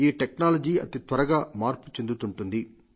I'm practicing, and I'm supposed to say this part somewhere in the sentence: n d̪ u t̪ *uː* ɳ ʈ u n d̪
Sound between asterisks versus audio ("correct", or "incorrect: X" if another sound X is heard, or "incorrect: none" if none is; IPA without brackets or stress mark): incorrect: u